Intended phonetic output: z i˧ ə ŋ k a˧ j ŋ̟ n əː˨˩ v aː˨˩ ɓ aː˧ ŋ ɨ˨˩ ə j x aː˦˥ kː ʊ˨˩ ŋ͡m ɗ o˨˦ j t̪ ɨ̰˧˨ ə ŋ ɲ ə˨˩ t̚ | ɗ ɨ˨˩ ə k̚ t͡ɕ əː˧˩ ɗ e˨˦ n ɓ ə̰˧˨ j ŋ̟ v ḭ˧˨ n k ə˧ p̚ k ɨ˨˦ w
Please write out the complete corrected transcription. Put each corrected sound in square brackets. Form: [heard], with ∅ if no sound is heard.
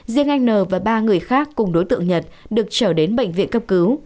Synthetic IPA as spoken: z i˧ ə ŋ [ʔ] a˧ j ŋ̟ n əː˨˩ v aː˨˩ ɓ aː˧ ŋ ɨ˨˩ ə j x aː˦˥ kː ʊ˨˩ ŋ͡m ɗ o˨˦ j t̪ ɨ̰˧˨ ə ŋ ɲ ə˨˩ t̚ | ɗ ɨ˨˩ ə k̚ t͡ɕ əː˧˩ ɗ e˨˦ n ɓ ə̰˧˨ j ŋ̟ v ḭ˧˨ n k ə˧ p̚ k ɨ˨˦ w